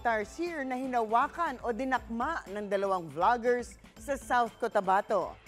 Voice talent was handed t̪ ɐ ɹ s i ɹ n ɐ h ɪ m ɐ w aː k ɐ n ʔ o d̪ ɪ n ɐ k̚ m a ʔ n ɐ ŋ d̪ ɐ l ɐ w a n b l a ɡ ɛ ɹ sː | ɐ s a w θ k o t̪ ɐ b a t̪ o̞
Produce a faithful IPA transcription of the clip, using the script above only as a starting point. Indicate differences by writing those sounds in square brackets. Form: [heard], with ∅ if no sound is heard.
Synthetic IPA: t̪ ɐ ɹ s i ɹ n ɐ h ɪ [n] ɐ w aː k ɐ n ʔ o d̪ ɪ n ɐ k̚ m a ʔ n ɐ ŋ d̪ ɐ l ɐ w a [ŋ] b l a ɡ ɛ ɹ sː | ɐ s a w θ k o t̪ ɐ b a t̪ o̞